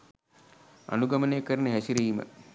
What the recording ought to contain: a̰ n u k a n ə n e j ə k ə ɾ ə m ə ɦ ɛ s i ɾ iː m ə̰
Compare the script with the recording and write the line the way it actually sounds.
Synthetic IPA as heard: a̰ n u ɡ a m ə n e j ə k ə ɾ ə n ə ɦ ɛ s i ɾ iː m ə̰